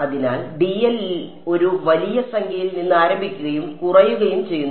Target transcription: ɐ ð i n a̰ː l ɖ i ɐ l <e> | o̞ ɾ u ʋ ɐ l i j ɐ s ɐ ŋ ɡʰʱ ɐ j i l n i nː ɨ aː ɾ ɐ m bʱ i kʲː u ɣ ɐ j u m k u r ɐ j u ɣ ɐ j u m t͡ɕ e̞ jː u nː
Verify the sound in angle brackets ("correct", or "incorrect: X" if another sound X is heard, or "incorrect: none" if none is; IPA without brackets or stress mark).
incorrect: i